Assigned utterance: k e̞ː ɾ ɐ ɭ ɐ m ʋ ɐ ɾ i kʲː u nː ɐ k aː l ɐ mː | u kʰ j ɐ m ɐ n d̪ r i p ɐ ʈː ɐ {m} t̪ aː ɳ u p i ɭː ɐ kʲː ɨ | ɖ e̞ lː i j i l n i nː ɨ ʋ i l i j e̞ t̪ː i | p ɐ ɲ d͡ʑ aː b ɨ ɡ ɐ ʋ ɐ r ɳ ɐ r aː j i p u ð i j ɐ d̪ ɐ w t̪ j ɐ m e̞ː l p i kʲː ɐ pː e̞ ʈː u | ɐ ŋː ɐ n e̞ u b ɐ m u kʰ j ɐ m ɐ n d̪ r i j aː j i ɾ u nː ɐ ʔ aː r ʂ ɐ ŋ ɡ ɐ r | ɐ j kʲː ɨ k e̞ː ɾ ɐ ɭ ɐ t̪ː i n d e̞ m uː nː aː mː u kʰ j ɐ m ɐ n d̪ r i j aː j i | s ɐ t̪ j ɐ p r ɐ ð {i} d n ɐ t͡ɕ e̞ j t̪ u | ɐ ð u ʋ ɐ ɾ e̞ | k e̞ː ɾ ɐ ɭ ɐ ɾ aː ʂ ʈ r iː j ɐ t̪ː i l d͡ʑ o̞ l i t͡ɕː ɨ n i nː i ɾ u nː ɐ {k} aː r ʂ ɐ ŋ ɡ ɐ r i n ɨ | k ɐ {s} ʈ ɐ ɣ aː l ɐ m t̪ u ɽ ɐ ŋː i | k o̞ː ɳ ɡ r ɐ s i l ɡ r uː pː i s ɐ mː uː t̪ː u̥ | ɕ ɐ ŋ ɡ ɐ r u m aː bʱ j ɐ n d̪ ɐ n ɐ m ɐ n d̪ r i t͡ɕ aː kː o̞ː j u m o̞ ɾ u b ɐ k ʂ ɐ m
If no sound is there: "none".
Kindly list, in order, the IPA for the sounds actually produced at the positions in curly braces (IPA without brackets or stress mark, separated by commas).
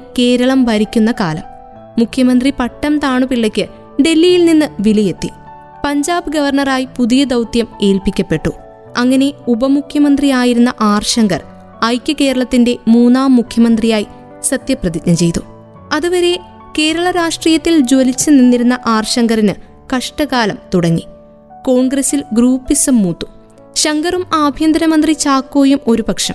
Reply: m, i, ʔ, ʂ